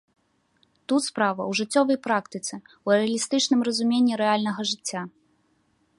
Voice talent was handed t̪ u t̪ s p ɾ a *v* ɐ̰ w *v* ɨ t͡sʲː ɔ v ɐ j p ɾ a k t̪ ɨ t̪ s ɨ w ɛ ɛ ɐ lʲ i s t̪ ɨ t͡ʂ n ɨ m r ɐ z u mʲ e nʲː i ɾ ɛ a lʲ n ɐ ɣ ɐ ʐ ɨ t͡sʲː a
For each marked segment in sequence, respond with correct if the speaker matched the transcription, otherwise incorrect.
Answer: correct, incorrect

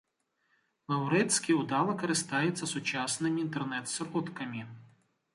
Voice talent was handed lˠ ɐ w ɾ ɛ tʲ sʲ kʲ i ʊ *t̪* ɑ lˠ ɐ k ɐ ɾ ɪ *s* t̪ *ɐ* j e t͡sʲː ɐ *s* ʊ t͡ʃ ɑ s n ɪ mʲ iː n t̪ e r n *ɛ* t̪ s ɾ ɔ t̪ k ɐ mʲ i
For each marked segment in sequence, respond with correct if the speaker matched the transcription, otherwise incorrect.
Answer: incorrect, correct, incorrect, correct, correct

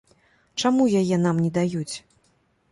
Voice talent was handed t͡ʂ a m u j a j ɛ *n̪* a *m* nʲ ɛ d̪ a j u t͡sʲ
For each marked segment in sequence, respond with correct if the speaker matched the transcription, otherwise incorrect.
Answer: correct, correct

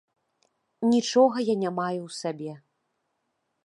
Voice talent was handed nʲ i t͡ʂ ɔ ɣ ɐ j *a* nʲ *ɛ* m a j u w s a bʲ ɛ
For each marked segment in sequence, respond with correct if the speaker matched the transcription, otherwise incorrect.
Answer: correct, incorrect

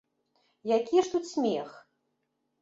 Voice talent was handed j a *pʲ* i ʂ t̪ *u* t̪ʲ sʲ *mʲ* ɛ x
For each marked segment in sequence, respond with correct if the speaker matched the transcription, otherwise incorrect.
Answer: incorrect, correct, correct

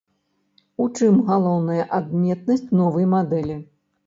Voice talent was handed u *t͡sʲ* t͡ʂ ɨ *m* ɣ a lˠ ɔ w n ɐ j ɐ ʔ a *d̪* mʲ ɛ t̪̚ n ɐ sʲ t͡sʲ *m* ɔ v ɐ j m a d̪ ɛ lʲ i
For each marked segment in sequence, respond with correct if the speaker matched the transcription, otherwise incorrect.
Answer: incorrect, correct, correct, incorrect

